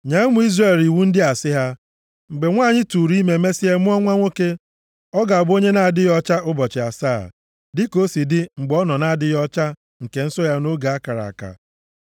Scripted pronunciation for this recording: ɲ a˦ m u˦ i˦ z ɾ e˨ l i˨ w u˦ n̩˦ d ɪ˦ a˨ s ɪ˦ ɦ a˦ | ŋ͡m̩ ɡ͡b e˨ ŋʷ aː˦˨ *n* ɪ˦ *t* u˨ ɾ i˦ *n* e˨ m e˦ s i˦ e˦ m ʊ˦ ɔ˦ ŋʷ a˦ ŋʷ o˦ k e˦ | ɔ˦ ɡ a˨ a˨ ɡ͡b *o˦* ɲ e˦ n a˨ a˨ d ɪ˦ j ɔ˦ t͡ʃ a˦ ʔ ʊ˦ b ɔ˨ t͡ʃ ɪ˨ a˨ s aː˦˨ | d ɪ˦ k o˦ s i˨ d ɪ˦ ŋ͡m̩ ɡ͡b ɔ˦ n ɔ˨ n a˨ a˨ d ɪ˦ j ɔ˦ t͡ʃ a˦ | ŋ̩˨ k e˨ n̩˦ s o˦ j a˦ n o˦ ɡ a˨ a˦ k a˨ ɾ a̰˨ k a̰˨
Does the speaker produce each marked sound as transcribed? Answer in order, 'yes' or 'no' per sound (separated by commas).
no, yes, no, yes